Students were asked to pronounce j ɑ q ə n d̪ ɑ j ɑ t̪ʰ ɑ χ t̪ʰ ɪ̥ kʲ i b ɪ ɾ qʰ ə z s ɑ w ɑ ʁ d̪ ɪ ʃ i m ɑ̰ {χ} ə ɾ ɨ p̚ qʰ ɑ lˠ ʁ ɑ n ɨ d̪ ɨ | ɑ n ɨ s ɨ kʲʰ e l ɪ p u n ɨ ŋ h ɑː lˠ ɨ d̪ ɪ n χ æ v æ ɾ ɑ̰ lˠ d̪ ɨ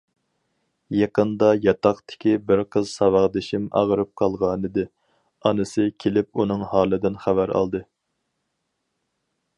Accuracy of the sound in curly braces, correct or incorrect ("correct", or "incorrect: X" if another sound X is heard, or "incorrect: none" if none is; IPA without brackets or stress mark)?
incorrect: ʁ